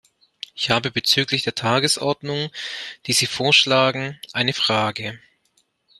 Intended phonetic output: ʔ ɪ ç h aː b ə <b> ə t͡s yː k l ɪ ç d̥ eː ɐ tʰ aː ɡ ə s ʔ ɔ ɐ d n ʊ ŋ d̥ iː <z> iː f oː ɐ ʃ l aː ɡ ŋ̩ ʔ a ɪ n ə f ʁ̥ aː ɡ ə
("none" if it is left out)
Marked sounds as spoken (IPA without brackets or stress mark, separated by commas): b, z